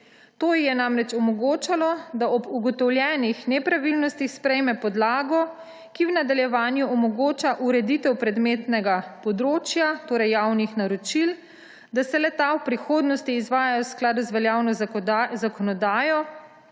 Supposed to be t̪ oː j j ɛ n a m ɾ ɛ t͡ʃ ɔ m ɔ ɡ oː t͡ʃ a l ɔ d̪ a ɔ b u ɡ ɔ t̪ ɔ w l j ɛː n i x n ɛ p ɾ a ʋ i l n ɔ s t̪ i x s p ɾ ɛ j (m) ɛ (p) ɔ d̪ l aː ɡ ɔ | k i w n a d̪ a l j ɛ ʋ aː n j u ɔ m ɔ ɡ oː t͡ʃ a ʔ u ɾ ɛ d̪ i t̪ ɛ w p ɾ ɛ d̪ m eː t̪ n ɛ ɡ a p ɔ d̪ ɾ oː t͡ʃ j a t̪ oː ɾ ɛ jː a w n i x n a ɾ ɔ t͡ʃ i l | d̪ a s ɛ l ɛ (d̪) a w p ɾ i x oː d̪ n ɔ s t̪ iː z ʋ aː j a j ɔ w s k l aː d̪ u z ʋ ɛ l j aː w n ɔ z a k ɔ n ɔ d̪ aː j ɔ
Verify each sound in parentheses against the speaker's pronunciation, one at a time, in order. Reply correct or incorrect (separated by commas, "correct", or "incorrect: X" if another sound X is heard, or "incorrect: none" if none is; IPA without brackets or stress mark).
correct, correct, incorrect: t̪